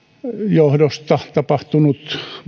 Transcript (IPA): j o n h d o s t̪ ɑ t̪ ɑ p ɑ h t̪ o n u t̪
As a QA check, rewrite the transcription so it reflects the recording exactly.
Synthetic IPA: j o h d o s t̪ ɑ t̪ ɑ p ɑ h t̪ u n u t̪